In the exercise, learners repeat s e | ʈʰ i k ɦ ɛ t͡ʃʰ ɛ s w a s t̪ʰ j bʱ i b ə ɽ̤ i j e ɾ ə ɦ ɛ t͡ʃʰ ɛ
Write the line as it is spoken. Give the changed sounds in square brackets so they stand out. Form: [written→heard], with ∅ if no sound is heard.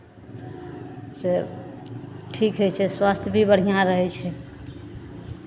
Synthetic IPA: s e | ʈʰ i k ɦ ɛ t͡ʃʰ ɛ s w a s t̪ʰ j bʱ i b ə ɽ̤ i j [e→a] ɾ ə ɦ ɛ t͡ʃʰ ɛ